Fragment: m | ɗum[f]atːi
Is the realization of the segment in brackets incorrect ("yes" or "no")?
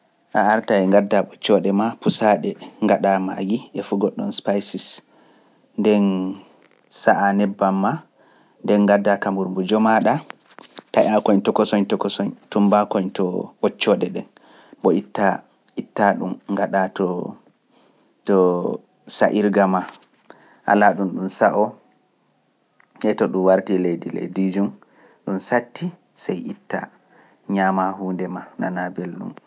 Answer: yes